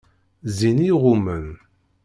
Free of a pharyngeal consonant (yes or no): yes